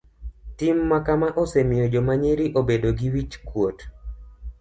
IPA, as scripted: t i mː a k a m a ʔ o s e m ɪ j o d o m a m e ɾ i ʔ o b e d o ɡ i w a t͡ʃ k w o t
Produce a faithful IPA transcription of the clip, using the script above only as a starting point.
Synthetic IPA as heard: t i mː a k a m a ʔ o s e m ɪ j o d͡ʒ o m a ɲ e ɾ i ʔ o b e d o ɡ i w i t͡ʃ k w o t